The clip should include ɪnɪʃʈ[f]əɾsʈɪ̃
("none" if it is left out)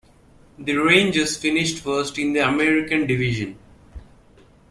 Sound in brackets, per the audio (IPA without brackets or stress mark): f